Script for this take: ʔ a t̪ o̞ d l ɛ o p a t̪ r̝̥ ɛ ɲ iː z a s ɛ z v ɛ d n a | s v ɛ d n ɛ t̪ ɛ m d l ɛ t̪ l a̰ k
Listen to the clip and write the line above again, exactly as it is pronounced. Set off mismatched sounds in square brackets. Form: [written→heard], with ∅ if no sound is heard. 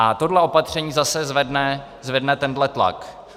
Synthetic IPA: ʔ a t̪ o̞ d l ɛ o p a t̪ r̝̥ ɛ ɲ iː z a s ɛ z v ɛ d n [a→ɛ] | [s→z] v ɛ d n ɛ t̪ ɛ [m→n] d l ɛ t̪ l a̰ k